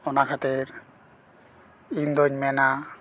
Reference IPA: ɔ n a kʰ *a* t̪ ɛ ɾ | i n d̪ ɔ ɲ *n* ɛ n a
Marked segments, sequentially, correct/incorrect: correct, incorrect

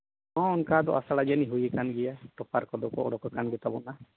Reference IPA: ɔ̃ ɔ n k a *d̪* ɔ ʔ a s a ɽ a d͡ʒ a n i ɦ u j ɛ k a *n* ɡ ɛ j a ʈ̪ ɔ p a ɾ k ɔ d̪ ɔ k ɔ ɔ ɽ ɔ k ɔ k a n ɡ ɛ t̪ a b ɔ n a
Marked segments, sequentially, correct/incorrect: correct, correct

